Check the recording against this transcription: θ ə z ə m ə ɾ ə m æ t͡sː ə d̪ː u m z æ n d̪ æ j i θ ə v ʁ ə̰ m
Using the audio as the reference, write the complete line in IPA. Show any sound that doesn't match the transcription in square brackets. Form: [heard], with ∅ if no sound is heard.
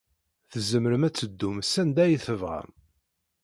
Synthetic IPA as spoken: θ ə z ə m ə ɾ ə m æ t͡sː ə d̪ː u m [s] æ n d̪ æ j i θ ə v ʁ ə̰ m